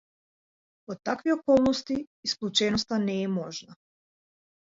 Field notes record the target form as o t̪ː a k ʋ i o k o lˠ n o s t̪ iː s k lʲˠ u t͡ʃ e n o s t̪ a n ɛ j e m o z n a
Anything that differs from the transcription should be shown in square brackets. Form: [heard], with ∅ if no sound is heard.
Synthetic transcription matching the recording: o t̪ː a k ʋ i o k o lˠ n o s t̪ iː s k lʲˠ u t͡ʃ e n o s t̪ a n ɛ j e m o [ʒ] n a